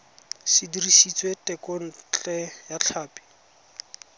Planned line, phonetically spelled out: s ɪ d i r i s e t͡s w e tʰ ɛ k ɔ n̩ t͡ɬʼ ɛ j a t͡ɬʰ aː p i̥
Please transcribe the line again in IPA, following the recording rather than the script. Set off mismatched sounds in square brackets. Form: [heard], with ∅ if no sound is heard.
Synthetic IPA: s ɪ d i r i s [i] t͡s w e [t] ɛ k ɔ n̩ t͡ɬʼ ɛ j a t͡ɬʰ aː p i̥